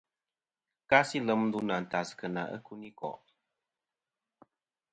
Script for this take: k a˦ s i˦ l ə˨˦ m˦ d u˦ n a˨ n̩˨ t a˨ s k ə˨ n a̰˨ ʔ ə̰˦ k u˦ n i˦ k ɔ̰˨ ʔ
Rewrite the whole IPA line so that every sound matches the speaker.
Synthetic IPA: k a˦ s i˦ l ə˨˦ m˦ d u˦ n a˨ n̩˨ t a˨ s k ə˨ n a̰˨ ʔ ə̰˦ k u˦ n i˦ k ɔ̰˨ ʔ